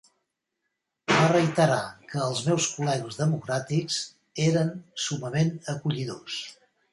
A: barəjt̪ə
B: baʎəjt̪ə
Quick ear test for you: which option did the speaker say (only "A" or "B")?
A